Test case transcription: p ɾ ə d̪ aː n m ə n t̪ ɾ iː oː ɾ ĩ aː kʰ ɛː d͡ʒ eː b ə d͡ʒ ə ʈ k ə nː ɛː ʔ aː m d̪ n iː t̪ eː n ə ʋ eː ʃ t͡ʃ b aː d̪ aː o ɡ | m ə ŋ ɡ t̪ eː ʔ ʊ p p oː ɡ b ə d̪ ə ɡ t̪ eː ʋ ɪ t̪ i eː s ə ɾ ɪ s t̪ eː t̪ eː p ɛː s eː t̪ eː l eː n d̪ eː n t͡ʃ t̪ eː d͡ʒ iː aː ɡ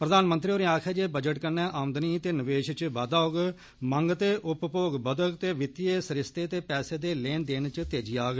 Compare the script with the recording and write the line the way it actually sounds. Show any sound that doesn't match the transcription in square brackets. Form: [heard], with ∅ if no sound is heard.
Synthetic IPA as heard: p ɾ ə d̪ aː n m ə n t̪ ɾ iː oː ɾ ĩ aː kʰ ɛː d͡ʒ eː b ə d͡ʒ ə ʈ k ə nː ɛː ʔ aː m d̪ n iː t̪ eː n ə ʋ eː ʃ t͡ʃ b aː d̪ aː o ɡ | m ə ŋ ɡ t̪ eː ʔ ʊ p p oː ɡ b ə d̪ ə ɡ t̪ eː ʋ ɪ t̪ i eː s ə ɾ ɪ s t̪ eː t̪ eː p ɛː s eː [d̪] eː l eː n d̪ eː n t͡ʃ t̪ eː d͡ʒ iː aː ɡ